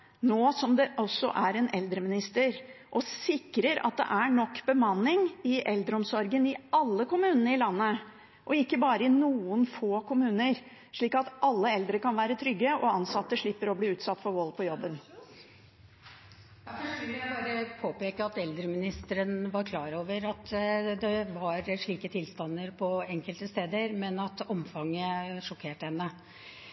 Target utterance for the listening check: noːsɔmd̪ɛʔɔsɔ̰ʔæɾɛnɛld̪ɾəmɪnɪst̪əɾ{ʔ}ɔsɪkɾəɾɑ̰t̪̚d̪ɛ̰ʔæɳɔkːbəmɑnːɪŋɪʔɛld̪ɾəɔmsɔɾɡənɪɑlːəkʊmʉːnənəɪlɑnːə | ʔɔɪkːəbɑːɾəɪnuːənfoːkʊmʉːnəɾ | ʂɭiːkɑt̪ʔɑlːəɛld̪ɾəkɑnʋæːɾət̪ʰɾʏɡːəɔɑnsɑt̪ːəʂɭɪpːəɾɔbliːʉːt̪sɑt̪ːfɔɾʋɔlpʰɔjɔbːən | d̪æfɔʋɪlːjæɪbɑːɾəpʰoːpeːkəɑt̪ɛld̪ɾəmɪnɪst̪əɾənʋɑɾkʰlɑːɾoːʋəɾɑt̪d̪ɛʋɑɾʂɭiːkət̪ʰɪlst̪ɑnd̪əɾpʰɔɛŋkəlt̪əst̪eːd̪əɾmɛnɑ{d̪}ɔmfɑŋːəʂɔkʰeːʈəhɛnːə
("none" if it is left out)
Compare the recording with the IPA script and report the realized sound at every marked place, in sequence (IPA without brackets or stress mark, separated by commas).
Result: ʔ, t̪